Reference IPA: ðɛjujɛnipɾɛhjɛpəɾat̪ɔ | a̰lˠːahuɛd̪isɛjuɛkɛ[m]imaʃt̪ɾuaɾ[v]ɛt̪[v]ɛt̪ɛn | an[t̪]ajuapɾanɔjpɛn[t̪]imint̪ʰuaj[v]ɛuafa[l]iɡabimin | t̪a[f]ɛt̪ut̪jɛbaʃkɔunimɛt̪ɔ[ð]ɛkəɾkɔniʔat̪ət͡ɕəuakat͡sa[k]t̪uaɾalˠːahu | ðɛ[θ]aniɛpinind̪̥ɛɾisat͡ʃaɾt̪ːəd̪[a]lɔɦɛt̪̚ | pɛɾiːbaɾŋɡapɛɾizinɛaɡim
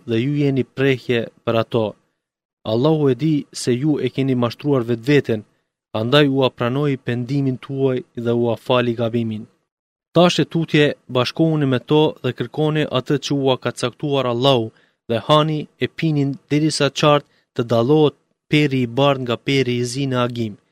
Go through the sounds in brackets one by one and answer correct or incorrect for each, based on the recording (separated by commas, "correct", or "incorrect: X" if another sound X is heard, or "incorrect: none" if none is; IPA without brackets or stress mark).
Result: incorrect: n, correct, correct, incorrect: d̪, incorrect: d̪, incorrect: ð, correct, incorrect: ʃ, correct, correct, incorrect: h, correct